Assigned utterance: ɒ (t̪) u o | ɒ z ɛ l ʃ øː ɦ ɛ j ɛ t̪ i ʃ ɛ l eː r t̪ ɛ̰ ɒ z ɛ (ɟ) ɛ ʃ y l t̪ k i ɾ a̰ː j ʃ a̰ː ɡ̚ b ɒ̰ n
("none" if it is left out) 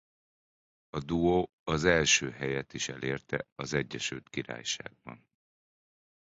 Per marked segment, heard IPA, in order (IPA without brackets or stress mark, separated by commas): d̪, ɟː